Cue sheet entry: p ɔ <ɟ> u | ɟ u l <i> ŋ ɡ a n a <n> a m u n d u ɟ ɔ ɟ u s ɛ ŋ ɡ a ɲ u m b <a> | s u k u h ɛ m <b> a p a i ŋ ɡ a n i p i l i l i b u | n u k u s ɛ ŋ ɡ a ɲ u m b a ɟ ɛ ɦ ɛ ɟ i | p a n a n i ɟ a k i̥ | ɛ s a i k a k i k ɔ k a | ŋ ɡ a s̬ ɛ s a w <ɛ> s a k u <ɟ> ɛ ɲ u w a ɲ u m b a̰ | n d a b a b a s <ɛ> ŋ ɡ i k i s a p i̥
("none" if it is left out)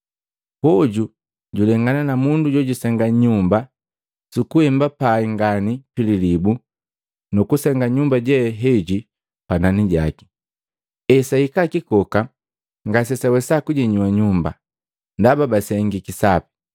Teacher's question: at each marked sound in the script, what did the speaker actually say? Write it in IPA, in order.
ɟ, ɛ, n, a, b, ɛ, ɟ, ɛ

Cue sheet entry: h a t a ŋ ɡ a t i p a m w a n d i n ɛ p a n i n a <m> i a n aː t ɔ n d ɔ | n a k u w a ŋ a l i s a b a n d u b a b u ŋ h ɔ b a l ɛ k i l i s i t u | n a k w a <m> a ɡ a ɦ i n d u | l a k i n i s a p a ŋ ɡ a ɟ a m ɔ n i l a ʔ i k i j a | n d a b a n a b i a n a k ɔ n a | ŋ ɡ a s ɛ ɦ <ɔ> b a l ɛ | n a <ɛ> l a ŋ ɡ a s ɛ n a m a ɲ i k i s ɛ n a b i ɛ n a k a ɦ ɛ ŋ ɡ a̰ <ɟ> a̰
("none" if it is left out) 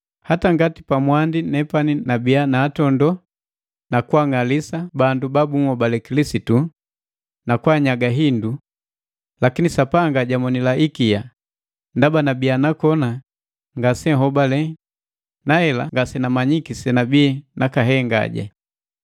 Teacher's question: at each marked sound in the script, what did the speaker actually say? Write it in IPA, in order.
b, ɲ, ɔ, ɛ, ɟ

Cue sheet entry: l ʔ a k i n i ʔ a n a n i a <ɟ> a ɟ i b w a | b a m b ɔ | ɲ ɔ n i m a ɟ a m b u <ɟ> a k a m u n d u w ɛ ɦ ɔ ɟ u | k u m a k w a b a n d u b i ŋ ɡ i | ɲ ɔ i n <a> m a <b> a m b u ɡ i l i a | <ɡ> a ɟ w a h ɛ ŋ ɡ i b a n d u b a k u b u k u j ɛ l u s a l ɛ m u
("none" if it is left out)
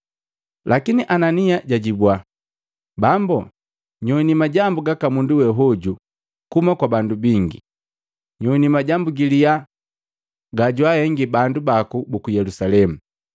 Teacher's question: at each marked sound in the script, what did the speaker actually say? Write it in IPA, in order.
ɟ, ɡ, i, ɟ, ɡ

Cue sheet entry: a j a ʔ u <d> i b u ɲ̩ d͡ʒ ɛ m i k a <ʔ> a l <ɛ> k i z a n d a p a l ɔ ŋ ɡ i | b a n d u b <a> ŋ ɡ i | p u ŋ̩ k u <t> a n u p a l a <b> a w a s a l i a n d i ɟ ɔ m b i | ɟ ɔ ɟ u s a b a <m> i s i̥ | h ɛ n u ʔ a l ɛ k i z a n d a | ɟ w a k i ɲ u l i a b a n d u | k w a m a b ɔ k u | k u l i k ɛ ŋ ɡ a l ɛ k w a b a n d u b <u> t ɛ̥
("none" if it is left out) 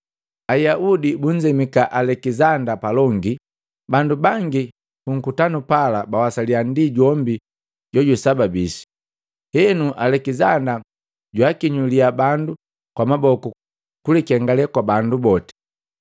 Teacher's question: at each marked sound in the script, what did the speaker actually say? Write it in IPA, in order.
d, ʔ, ɛ, a, t, b, b, ɔ

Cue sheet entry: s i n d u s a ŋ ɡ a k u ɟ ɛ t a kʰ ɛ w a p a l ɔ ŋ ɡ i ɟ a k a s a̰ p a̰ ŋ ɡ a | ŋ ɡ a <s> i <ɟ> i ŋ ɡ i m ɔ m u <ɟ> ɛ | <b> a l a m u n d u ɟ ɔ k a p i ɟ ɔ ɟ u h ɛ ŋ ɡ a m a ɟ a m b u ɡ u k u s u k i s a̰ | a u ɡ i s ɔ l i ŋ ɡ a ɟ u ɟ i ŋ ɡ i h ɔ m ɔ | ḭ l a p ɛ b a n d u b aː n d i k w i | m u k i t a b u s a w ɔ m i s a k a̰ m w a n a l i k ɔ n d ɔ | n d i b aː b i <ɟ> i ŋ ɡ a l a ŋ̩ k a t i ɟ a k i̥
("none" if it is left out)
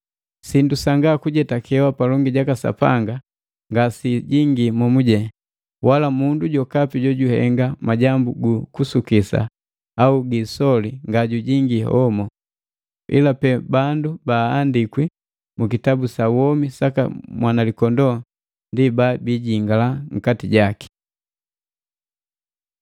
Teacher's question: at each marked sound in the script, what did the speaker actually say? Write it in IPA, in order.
s, ɟ, ɟ, w, ɟ

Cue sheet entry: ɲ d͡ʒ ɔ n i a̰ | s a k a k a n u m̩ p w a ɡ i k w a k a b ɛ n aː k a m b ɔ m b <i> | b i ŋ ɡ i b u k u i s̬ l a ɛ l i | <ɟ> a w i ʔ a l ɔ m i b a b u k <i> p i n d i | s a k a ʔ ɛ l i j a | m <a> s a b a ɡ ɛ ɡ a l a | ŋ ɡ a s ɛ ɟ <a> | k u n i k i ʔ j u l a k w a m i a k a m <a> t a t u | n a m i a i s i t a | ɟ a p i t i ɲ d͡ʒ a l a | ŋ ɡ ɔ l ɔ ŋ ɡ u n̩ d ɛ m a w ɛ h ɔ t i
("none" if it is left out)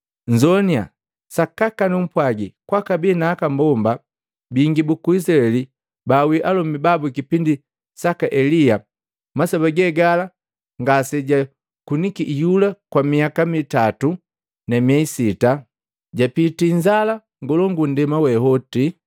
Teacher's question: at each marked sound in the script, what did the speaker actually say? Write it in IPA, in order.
a, b, i, a, a, i

